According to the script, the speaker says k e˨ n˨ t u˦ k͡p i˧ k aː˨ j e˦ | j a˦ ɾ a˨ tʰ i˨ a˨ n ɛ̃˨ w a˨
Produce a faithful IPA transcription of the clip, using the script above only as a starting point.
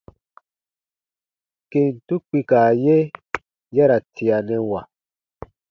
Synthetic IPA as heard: k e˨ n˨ t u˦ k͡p i˧ k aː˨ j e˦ | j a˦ ɾ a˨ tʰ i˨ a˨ n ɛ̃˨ w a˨